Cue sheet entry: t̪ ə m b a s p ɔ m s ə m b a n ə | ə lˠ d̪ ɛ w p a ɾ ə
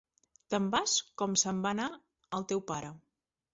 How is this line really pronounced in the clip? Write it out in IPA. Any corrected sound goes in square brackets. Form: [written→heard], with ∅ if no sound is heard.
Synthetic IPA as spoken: t̪ ə m b a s [p→k] ɔ m s ə m b a n [ə→a] | ə lˠ [d̪→t̪] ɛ w p a ɾ ə